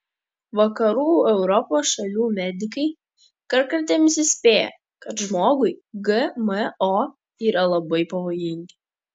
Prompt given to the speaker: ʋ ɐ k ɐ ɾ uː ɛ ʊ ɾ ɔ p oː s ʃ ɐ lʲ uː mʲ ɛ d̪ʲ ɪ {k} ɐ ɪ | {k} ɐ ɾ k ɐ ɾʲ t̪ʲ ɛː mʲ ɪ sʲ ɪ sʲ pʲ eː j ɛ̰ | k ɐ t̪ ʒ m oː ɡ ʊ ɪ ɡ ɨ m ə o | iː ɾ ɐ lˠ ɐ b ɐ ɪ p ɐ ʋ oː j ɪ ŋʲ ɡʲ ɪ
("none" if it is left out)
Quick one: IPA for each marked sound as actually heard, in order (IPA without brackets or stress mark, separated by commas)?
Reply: k, k